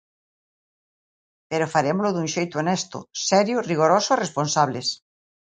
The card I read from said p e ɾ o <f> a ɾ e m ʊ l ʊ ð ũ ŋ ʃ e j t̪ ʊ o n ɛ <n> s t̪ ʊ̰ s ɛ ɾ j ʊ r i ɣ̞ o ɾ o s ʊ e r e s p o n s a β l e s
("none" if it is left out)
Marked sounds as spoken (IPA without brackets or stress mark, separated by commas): f, none